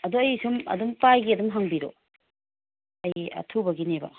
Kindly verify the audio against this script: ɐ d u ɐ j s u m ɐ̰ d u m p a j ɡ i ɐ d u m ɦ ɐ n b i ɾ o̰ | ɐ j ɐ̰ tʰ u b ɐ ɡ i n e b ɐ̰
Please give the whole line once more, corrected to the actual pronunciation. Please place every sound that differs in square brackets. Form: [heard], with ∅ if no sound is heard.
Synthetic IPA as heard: ɐ d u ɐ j s u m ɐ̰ d u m p a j ɡ i ɐ d u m ɦ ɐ [ŋ] b i ɾ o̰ | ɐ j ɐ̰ tʰ u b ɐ ɡ i n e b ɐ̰